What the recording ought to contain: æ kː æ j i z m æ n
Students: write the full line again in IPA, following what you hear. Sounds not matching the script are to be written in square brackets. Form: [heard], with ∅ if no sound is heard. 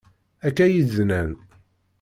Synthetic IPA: æ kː æ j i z [n] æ n